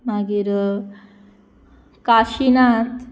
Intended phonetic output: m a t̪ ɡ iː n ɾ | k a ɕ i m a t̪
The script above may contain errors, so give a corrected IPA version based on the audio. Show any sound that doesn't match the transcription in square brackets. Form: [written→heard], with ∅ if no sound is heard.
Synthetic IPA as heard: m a [t̪→∅] ɡ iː [n→∅] ɾ | k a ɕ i [m→n] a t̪